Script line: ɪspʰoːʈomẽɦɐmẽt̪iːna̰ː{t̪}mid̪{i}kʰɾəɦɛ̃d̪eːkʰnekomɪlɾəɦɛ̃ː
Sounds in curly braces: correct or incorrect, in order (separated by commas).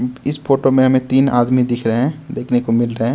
incorrect, incorrect